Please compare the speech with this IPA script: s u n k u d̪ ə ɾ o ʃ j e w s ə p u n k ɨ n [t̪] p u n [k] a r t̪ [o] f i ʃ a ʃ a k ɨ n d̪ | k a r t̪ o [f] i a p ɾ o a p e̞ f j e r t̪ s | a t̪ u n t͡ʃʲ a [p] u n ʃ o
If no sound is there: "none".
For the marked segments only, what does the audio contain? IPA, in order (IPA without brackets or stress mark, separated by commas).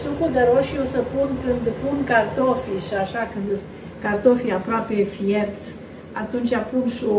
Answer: d̪, k, o, f, p